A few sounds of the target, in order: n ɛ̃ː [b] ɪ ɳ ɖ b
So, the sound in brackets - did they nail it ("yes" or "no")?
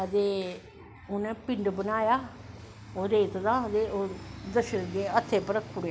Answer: no